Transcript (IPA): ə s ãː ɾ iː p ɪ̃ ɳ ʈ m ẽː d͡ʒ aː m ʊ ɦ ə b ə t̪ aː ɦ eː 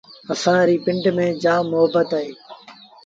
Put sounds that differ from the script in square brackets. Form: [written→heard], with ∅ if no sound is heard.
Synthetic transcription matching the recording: ə s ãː ɾ iː p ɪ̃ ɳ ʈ m ẽː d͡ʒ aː m ʊ ɦ ə b ə t̪ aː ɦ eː